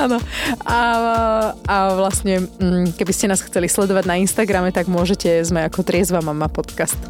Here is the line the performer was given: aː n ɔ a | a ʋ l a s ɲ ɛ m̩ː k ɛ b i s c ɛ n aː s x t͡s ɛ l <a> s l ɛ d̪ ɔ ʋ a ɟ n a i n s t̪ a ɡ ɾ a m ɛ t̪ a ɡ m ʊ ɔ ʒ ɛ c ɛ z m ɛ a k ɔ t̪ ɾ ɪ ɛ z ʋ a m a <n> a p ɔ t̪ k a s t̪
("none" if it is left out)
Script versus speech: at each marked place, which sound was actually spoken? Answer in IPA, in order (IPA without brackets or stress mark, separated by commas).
i, m